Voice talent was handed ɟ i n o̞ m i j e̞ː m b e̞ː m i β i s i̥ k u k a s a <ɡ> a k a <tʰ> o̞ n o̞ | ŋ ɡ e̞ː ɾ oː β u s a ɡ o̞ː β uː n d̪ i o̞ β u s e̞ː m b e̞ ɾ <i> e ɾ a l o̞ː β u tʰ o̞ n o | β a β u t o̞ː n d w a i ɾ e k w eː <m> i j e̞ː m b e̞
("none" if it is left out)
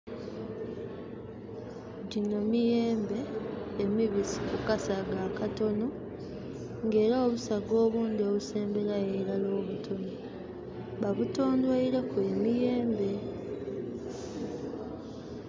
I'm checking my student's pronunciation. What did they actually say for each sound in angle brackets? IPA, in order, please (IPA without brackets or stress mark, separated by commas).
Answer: ɡ, t, a, m